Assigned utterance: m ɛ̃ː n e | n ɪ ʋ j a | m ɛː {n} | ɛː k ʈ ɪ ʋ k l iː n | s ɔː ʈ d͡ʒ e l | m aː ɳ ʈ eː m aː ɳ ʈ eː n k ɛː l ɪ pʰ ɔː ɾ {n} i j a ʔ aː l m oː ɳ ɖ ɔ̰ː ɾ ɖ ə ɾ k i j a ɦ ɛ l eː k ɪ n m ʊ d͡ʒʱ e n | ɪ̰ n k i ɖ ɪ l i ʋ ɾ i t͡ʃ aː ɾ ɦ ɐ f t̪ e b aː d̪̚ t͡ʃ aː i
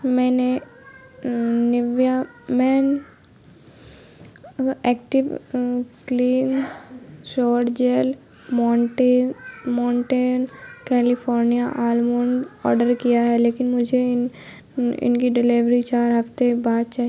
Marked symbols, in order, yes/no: yes, yes

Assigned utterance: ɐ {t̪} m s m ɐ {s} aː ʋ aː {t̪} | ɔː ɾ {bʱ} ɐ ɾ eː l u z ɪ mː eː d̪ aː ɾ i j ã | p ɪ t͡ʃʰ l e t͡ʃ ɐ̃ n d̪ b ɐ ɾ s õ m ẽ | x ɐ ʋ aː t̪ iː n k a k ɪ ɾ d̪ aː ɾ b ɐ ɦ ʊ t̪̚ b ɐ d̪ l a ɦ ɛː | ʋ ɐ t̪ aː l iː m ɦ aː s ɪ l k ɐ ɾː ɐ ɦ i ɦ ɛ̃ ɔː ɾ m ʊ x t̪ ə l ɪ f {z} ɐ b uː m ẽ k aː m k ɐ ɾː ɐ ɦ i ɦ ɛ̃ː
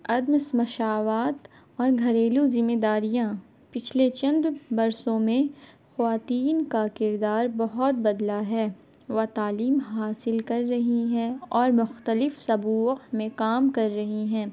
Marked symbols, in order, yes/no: no, no, yes, no, no

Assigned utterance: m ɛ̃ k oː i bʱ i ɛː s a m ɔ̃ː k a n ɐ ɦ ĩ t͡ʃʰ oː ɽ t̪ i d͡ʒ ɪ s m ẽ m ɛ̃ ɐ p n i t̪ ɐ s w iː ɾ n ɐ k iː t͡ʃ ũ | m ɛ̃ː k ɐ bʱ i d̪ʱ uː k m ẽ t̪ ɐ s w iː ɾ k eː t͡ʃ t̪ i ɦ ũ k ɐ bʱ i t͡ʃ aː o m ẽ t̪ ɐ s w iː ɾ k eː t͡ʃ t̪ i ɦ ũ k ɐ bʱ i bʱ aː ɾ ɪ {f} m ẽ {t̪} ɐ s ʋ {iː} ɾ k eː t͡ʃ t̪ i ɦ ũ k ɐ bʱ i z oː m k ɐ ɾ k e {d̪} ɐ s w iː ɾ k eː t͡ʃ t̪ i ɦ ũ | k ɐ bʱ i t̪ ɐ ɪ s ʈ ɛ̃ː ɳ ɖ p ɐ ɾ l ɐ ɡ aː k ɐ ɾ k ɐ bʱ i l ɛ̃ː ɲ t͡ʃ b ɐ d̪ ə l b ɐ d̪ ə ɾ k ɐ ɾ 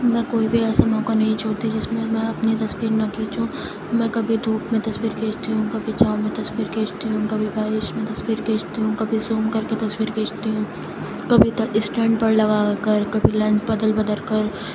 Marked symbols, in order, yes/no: no, yes, yes, no

